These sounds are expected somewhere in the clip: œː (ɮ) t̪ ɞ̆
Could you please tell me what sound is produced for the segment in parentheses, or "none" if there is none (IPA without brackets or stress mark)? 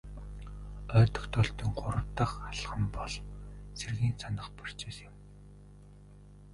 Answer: none